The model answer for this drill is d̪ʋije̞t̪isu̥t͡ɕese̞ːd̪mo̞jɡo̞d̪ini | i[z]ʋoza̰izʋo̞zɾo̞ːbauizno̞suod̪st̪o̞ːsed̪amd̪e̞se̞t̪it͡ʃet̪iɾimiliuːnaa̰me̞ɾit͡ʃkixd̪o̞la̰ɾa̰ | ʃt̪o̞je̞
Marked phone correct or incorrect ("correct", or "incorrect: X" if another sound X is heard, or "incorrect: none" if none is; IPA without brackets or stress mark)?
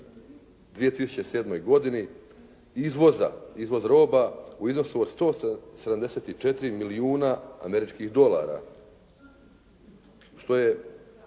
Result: correct